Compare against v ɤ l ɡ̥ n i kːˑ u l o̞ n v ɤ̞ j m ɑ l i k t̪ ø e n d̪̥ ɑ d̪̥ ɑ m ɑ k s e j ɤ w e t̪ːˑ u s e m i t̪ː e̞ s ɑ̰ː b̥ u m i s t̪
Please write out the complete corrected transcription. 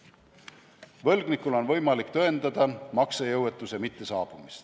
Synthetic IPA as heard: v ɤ l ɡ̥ n i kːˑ u l o̞ n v ɤ̞ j m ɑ l i k t̪ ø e n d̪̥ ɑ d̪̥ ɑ m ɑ k s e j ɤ w e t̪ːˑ u s e m i t̪ː e̞ s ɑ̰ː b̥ u m i s t̪